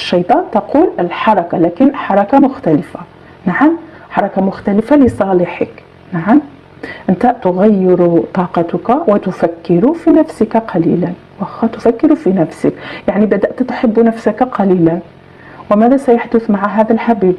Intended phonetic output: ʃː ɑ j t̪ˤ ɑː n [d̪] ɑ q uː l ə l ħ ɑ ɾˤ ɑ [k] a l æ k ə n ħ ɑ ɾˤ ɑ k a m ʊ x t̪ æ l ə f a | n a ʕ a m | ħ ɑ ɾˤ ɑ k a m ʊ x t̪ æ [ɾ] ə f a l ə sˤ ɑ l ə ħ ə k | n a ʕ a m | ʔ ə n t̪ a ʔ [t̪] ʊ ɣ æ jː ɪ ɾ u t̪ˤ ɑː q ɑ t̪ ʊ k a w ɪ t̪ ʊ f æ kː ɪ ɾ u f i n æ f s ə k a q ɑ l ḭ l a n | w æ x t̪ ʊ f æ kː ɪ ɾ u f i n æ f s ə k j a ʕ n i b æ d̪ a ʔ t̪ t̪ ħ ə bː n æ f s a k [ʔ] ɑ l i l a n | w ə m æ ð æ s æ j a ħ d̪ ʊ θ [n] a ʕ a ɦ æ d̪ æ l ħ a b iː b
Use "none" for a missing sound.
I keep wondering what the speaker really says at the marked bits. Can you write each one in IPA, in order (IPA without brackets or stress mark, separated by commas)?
t̪, k, l, t̪, q, m